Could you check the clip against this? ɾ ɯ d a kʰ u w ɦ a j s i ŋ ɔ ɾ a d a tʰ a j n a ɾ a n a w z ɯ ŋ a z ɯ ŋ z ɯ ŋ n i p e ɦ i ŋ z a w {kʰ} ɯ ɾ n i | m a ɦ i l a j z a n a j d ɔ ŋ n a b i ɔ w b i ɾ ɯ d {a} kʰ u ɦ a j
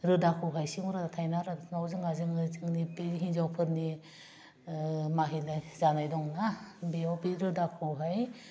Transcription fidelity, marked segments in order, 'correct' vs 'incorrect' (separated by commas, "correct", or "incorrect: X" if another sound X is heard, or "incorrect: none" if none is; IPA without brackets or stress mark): incorrect: pʰ, correct